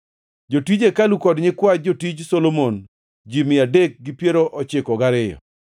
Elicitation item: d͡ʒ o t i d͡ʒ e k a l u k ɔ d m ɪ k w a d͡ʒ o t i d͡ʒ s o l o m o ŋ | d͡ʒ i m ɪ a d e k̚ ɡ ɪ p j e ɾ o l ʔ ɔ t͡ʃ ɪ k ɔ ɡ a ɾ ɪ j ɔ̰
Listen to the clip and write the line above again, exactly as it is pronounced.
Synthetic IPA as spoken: d͡ʒ o t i d͡ʒ e k a l u k ɔ d ɲ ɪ k w a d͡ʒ o t i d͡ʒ s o l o m o n | d͡ʒ i m ɪ a d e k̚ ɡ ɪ p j e ɾ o ʔ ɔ t͡ʃ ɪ k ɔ ɡ a ɾ ɪ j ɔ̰